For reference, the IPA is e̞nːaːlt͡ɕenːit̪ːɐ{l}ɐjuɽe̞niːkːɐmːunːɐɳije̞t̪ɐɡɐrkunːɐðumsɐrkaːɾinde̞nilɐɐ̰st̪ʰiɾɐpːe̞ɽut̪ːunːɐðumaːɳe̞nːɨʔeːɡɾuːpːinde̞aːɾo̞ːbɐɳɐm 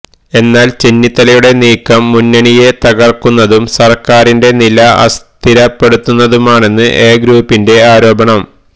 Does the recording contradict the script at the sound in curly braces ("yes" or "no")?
no